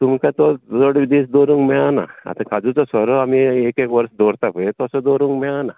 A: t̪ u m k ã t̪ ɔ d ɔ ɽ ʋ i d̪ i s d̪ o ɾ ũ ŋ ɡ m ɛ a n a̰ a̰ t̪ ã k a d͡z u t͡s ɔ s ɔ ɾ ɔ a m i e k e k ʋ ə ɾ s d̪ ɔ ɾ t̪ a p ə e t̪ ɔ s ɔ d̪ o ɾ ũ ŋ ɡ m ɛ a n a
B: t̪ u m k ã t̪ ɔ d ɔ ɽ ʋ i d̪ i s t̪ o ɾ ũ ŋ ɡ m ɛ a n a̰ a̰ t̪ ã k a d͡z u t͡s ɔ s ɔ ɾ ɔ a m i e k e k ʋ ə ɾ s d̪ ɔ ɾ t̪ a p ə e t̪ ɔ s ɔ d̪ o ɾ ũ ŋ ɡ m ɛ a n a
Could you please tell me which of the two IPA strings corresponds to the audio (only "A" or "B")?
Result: A